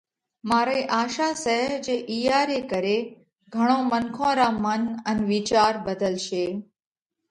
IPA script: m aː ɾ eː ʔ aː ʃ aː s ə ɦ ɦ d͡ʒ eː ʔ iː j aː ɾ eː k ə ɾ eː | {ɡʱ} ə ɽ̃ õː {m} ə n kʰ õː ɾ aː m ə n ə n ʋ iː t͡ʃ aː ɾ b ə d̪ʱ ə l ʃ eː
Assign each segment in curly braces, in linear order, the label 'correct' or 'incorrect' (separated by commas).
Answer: correct, correct